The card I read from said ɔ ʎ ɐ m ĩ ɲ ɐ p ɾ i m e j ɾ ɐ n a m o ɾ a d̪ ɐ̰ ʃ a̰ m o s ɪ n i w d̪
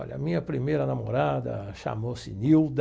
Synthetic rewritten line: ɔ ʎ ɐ m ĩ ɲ ɐ p ɾ i m e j ɾ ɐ n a m o ɾ a d̪ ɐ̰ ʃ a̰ m o s ɪ n i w d̪